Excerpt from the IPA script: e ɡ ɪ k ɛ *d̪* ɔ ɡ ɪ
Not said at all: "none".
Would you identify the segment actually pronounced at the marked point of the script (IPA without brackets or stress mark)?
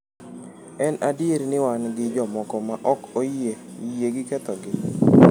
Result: t̪